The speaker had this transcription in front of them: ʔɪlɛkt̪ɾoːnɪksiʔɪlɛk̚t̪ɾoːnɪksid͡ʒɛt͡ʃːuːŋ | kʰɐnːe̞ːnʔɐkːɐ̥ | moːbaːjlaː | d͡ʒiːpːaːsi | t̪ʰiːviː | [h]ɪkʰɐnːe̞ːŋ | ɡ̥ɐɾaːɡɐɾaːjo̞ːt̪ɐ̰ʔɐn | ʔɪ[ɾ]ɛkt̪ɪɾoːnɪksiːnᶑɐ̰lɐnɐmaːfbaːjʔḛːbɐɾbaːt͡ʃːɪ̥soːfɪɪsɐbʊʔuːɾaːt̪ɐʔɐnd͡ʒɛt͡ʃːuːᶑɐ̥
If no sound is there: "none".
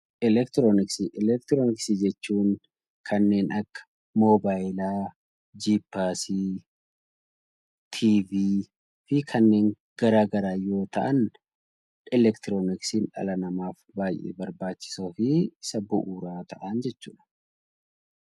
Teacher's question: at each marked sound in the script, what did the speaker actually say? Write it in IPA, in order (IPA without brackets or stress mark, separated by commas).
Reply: f, l